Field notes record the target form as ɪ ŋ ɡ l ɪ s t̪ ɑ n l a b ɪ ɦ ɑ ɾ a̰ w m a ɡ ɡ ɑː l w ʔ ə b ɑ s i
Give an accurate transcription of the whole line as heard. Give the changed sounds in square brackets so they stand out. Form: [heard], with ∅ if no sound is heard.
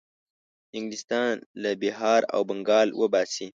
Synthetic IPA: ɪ ŋ ɡ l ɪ s t̪ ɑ n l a b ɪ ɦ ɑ ɾ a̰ w [b] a [ŋ] ɡ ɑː l w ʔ ə b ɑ s i